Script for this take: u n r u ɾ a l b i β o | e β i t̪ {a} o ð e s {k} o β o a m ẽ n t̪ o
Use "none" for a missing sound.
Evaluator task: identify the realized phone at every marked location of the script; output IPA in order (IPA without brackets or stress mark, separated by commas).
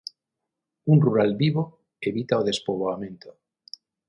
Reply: a, p